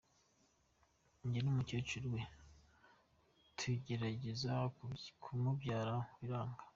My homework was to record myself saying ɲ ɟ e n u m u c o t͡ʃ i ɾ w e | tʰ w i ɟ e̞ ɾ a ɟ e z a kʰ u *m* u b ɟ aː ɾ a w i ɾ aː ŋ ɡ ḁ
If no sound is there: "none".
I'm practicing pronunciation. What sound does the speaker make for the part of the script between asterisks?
m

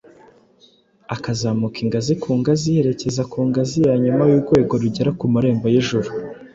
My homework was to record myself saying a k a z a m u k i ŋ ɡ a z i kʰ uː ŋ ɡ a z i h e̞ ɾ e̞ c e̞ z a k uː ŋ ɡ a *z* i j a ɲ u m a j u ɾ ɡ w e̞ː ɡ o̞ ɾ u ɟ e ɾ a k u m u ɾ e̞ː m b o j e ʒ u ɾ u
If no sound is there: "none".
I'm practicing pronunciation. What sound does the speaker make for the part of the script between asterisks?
z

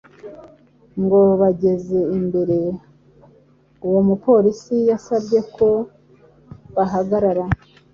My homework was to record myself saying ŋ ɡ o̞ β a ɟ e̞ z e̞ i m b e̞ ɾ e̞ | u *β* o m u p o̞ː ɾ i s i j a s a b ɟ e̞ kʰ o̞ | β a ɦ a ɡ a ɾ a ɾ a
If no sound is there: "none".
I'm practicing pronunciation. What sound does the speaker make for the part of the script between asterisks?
w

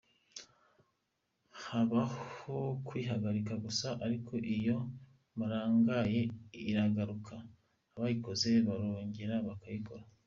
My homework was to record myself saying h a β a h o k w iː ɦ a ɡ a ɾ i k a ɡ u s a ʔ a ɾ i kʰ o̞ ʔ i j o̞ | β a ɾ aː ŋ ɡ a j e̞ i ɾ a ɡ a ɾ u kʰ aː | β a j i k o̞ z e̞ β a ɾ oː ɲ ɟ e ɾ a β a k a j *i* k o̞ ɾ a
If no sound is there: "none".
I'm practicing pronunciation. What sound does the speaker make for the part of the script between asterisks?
i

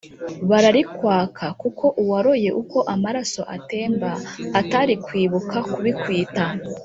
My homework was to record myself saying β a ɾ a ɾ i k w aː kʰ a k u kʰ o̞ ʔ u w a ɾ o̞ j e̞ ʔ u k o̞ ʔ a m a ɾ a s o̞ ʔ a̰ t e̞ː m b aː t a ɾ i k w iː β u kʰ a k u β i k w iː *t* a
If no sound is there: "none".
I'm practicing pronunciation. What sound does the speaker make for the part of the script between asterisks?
t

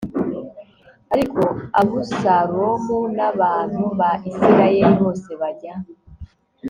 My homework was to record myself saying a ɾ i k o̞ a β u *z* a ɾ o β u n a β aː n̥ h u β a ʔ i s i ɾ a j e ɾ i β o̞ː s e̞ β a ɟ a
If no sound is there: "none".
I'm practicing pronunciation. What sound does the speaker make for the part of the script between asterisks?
s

